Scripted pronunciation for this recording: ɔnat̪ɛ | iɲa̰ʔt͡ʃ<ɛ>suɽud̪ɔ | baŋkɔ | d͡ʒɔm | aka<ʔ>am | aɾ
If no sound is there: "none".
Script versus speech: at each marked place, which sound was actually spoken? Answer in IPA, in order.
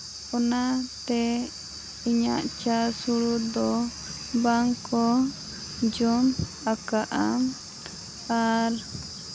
a, ʔ

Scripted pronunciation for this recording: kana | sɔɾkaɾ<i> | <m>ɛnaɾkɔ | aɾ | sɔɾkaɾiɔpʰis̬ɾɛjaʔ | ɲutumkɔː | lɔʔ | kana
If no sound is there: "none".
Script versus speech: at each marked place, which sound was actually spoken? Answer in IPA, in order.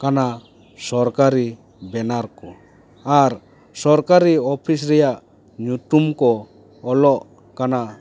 i, b

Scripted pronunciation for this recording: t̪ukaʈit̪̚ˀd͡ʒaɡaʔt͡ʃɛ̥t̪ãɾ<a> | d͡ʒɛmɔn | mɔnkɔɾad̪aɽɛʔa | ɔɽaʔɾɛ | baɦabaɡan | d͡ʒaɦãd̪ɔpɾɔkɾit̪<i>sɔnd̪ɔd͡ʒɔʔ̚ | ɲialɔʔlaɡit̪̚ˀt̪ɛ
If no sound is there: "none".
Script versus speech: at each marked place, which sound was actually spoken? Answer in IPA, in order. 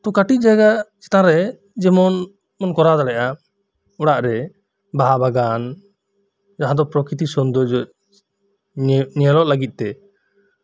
ɛ, i

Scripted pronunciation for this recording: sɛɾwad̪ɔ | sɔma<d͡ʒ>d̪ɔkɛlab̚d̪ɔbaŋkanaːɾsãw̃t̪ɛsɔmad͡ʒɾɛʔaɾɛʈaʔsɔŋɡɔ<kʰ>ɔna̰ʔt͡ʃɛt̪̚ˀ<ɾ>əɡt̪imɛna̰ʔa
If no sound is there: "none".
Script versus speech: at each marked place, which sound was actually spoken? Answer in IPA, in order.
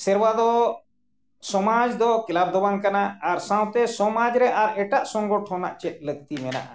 d͡ʒ, ʈʰ, l

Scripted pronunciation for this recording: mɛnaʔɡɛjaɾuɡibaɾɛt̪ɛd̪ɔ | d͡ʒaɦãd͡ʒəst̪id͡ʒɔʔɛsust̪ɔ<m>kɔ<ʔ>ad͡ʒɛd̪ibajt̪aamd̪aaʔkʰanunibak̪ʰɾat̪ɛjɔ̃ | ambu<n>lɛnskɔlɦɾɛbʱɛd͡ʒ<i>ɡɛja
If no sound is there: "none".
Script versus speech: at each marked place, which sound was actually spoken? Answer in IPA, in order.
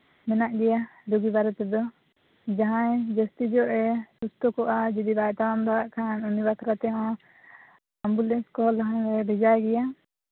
none, ʔ, none, a

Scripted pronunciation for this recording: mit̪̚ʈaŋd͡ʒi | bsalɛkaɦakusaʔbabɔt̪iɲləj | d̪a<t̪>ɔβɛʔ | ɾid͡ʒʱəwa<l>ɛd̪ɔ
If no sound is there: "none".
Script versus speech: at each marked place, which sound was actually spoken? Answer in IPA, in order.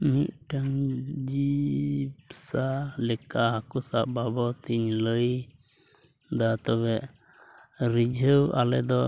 t̪, l

